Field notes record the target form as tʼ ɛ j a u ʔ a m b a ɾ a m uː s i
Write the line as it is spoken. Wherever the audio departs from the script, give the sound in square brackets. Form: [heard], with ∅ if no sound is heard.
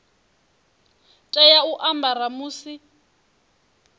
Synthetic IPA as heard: tʼ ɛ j a u ʔ a m b a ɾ a m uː s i